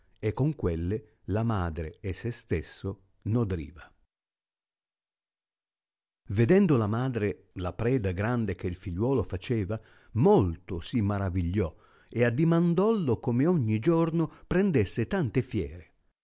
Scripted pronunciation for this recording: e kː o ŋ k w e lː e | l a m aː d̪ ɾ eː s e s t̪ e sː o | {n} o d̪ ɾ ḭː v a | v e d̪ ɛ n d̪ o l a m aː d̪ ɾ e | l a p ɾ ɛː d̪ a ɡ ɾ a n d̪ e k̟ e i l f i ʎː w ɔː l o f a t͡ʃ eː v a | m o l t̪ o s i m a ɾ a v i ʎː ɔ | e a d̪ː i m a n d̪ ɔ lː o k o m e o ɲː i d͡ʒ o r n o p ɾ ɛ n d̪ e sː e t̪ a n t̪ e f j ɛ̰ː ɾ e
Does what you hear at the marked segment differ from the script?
no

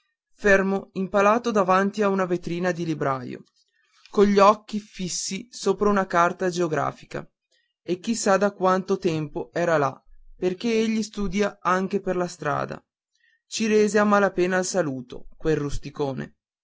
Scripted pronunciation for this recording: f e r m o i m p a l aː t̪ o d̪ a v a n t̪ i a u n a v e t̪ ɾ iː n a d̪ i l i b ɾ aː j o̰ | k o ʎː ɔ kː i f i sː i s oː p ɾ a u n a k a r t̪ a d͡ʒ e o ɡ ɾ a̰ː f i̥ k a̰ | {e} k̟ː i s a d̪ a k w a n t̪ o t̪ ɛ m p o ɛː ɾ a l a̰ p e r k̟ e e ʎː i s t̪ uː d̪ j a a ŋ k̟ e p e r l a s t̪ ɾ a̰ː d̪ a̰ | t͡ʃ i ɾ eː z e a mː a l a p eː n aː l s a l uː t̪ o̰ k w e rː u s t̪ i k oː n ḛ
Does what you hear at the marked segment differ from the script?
no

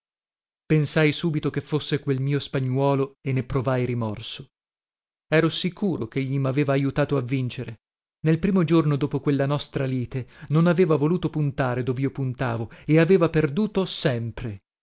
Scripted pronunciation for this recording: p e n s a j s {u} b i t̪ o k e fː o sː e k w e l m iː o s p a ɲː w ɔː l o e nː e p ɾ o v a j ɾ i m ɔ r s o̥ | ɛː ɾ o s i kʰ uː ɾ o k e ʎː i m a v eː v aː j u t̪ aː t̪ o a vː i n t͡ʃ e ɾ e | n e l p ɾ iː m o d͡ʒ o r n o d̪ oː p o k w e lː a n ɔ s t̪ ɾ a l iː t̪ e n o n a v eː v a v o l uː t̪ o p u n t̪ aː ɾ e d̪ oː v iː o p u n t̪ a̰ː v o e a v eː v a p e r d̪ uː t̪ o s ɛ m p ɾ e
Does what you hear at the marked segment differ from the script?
yes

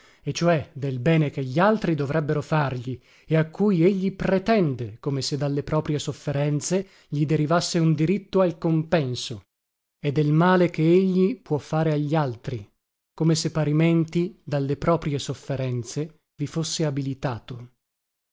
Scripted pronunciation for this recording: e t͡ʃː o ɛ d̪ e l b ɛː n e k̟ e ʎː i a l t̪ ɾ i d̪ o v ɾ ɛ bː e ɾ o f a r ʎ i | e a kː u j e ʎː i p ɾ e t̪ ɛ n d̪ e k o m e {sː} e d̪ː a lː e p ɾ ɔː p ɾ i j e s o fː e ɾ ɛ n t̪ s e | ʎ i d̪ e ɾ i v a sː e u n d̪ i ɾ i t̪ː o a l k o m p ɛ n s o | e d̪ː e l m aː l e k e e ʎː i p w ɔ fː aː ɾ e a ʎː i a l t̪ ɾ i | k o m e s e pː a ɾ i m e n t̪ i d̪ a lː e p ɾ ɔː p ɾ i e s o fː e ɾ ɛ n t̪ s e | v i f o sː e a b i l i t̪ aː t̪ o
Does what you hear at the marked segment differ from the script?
yes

